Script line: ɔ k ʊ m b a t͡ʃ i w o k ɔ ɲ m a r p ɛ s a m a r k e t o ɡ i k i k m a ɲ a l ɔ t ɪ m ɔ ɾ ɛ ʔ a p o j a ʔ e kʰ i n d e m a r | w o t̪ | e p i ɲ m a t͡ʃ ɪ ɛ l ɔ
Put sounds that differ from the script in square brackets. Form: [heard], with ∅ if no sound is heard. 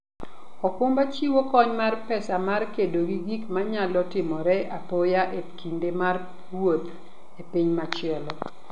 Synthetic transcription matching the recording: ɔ k ʊ m b a t͡ʃ i w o k ɔ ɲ m a r p ɛ s a m a r k e [d] o ɡ i [ɡ] i k m a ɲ a l ɔ t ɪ m ɔ ɾ ɛ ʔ a p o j a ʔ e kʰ i n d e m a r | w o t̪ | e p i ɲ m a t͡ʃ ɪ ɛ l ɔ